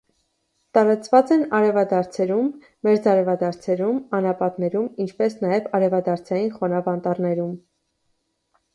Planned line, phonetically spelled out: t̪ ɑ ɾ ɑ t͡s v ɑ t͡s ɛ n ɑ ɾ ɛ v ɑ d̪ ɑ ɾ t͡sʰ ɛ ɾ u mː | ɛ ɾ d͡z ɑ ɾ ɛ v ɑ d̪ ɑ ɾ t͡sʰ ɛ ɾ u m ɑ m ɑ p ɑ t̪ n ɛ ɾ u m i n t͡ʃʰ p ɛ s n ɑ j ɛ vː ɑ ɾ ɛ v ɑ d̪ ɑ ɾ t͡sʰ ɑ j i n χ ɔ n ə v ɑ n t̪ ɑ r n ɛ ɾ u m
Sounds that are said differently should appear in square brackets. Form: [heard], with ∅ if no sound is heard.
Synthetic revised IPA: t̪ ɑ ɾ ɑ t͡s v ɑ t͡s ɛ n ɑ ɾ ɛ v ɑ d̪ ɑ ɾ t͡sʰ ɛ ɾ u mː | ɛ ɾ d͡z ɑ ɾ ɛ v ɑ d̪ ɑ ɾ t͡sʰ ɛ ɾ u m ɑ [n] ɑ p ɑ t̪ n ɛ ɾ u m i n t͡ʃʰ p ɛ s n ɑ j ɛ [v] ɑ ɾ ɛ v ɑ d̪ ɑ ɾ t͡sʰ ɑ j i n χ ɔ n [ɑ] v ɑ n t̪ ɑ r n ɛ ɾ u m